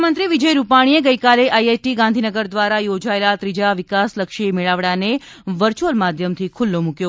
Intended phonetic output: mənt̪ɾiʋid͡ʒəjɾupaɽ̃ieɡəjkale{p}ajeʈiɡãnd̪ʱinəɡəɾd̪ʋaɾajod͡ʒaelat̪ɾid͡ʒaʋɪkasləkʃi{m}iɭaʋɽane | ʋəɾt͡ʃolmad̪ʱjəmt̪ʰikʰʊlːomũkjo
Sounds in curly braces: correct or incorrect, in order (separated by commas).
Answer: incorrect, correct